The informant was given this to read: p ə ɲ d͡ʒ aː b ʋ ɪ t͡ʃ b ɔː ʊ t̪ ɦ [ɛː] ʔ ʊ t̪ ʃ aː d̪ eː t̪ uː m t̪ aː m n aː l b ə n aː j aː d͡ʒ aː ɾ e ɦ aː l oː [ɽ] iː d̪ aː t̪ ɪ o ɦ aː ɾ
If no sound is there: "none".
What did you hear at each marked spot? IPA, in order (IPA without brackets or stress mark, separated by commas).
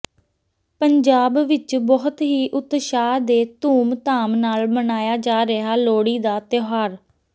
iː, ɽ